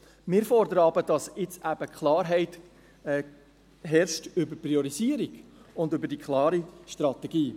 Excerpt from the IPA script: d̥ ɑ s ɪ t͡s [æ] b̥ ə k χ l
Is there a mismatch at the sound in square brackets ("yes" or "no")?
no